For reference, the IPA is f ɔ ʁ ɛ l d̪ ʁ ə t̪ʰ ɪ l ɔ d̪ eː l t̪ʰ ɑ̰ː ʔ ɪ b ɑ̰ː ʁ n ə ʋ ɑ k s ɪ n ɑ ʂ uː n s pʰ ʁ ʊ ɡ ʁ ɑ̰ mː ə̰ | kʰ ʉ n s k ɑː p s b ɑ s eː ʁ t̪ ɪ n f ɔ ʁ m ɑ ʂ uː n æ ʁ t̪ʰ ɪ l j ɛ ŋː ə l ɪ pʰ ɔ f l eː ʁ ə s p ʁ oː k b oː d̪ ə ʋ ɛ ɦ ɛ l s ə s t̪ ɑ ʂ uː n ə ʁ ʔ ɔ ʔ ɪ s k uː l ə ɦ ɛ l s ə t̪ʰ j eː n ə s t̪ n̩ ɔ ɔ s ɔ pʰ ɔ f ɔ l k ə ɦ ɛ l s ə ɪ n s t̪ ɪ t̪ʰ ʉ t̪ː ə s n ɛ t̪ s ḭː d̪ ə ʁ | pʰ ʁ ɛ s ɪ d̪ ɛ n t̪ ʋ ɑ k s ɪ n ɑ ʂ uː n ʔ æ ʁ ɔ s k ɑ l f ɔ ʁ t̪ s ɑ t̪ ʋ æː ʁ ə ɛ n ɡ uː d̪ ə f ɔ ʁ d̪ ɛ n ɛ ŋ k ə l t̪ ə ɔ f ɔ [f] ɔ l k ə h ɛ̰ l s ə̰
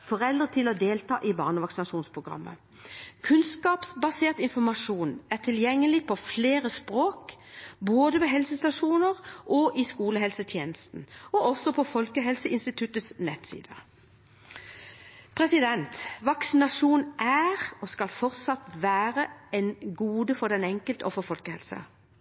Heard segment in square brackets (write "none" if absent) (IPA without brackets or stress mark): f